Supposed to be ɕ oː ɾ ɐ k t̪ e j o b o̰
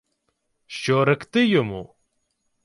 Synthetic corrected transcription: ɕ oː ɾ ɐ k t̪ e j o m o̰